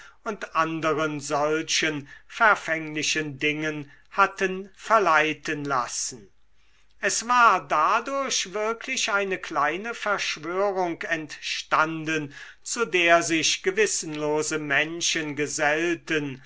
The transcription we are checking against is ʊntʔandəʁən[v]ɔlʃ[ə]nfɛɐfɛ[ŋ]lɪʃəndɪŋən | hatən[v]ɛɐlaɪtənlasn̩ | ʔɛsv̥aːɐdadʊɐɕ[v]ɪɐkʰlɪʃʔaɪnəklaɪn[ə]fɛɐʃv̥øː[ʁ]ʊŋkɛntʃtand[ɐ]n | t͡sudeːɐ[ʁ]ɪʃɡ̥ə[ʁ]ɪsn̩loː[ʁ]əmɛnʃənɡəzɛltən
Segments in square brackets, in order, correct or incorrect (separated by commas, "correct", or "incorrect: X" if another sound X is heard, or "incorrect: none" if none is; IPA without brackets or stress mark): incorrect: z, correct, correct, incorrect: f, correct, correct, correct, incorrect: ə, incorrect: z, incorrect: v, incorrect: z